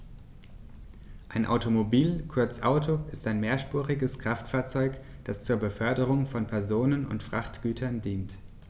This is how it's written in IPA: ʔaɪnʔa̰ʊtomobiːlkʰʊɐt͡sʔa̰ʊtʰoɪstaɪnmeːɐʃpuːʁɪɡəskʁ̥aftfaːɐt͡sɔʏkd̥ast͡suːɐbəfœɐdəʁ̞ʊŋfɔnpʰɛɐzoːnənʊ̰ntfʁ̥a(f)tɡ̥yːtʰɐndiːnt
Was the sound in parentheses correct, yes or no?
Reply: no